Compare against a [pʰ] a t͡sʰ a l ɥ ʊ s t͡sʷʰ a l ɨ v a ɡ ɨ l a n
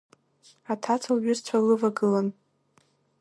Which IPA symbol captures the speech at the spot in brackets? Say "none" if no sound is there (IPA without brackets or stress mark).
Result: tʰ